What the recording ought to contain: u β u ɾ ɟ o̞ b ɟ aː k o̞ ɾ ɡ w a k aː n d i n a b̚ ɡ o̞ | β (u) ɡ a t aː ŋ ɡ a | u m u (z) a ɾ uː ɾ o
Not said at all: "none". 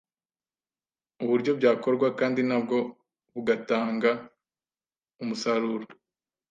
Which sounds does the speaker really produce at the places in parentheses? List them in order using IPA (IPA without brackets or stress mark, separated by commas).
u, s